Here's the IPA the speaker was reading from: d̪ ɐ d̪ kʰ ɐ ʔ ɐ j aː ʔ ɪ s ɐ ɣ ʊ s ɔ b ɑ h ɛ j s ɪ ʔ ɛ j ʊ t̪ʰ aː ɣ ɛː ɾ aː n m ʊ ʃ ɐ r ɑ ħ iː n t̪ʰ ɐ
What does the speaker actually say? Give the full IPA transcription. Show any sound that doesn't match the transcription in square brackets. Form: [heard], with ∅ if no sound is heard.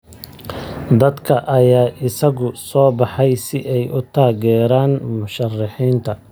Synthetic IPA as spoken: d̪ ɐ d̪ kʰ ɐ ʔ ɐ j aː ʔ ɪ s ɐ ɣ ʊ s [ɔː] b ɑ [ħ] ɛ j s ɪ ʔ ɛ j ʊ t̪ʰ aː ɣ ɛː ɾ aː n m ʊ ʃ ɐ r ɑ ħ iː n t̪ʰ ɐ